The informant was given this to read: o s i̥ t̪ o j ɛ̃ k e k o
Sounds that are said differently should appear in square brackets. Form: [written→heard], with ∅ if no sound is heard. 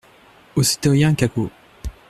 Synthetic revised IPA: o s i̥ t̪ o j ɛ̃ k [e→a] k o

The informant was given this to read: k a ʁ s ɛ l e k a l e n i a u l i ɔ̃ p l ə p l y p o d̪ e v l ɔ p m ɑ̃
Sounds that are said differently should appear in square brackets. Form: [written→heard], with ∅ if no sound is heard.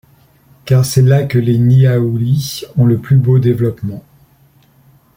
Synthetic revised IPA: k a ʁ s ɛ l [e→a] k [a→ə] l e n i a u l i ɔ̃ [p→∅] l ə p l y [p→b] o d̪ e v l ɔ p m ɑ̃

